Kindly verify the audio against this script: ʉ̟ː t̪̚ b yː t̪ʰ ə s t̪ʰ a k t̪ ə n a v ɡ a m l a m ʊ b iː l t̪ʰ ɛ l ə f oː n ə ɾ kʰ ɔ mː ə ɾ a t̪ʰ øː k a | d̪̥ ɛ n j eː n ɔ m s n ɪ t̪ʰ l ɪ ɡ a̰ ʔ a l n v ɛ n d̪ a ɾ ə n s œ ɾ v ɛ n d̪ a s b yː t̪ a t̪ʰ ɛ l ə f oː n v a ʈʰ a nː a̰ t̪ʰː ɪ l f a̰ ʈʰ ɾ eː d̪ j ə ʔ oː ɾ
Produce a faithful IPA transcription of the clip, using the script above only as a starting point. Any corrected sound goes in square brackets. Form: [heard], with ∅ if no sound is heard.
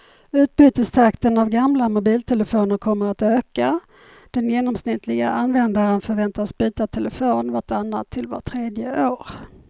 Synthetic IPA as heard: ʉ̟ː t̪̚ b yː [t̪] ə s t̪ʰ a k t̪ ə n a v ɡ a m l a m ʊ b iː l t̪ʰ ɛ l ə f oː n ə ɾ kʰ ɔ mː ə ɾ a [t̪] øː k a | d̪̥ ɛ n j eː n ɔ m s n ɪ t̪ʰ l ɪ ɡ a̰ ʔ a [∅] n v ɛ n d̪ a ɾ ə n [f] œ ɾ v ɛ n [t̪] a s b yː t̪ a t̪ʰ ɛ l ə f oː n v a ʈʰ a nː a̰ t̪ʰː ɪ l [v] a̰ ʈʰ ɾ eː d̪ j ə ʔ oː ɾ